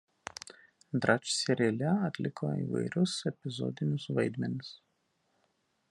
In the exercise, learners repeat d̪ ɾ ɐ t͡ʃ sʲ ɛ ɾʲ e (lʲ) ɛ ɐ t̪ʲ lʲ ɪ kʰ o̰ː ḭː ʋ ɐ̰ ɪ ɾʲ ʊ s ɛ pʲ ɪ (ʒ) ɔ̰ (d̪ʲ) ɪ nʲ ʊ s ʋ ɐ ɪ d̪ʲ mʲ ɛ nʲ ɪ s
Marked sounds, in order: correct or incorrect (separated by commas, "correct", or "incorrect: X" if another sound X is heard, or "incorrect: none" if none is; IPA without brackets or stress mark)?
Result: correct, incorrect: z, correct